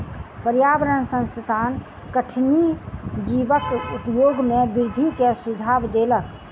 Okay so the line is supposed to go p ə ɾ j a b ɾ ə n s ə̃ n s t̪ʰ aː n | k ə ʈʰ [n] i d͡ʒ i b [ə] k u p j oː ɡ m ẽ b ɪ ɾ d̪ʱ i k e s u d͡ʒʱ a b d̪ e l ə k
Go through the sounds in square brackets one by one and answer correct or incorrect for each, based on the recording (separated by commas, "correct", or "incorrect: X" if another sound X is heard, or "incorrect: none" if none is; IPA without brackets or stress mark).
correct, correct